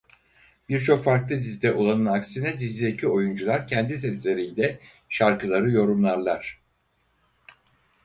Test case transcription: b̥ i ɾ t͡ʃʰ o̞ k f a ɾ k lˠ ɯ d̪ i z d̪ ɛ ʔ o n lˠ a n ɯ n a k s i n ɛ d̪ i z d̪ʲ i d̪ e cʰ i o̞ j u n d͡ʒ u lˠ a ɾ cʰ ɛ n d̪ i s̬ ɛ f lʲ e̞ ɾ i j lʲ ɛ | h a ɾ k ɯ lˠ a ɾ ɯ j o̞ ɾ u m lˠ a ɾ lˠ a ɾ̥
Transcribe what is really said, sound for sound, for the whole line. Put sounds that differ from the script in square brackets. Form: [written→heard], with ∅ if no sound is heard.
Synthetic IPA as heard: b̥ i ɾ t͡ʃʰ o̞ k f a ɾ k lˠ ɯ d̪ i z d̪ ɛ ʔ o [n→∅] lˠ a n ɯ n a k s i n ɛ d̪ i z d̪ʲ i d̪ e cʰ i o̞ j u n d͡ʒ u lˠ a ɾ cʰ ɛ n d̪ i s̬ ɛ [f→s] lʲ e̞ ɾ i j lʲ ɛ | [h→ʃ] a ɾ k ɯ lˠ a ɾ ɯ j o̞ ɾ u m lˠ a ɾ lˠ a ɾ̥